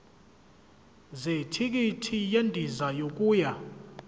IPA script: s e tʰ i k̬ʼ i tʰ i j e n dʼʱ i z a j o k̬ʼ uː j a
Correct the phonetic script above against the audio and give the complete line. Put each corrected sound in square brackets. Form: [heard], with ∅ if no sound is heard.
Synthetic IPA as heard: [z] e tʰ i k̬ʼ i tʰ i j e n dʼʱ i z a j o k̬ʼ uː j a